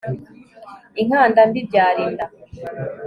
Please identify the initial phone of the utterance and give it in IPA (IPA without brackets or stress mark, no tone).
i